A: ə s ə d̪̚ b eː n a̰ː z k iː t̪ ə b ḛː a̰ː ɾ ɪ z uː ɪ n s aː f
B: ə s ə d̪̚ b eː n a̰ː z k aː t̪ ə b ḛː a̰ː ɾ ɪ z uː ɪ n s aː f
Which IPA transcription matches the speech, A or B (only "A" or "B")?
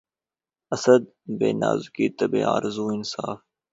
A